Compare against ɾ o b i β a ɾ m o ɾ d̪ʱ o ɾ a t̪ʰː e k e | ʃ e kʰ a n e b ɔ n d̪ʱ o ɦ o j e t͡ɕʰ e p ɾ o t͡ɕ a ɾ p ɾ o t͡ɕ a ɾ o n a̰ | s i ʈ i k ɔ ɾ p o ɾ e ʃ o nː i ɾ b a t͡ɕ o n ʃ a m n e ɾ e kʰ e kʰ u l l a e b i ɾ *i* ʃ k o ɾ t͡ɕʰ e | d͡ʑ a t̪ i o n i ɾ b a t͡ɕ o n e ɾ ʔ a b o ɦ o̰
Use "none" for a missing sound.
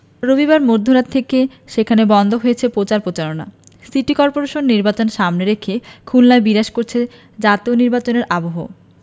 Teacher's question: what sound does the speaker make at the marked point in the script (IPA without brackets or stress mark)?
a